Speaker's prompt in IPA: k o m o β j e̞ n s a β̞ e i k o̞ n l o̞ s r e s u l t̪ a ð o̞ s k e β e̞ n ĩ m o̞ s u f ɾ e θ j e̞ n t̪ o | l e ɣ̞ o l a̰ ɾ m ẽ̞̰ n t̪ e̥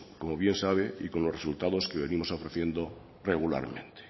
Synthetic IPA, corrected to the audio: k o m o β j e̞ n s a β̞ e i k o̞ n l o̞ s r e s u l t̪ a ð o̞ s k e β e̞ n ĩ m o̞ s o f ɾ e θ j e̞ n d̪ o | r e ɣ̞ u l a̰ ɾ m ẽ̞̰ n t̪ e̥